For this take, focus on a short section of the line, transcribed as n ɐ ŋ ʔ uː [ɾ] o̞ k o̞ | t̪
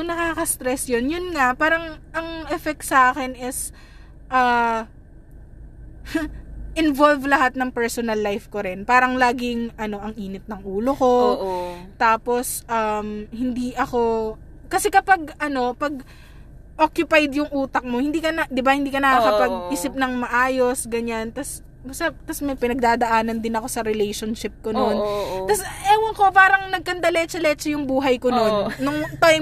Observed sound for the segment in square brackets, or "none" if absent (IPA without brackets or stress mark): l